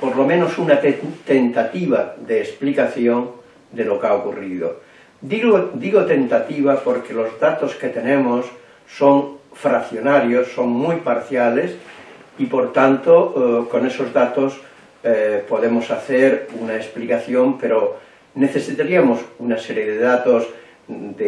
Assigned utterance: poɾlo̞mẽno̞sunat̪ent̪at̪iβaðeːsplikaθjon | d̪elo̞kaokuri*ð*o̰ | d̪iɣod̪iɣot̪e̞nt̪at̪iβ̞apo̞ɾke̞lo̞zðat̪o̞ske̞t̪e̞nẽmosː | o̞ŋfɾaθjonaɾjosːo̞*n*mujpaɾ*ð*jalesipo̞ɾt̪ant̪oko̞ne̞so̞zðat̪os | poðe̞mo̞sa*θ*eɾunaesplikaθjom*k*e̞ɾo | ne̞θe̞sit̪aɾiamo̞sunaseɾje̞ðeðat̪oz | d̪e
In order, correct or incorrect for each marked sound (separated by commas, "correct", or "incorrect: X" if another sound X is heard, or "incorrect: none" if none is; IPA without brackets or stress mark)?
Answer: correct, incorrect: ŋ, incorrect: θ, correct, incorrect: p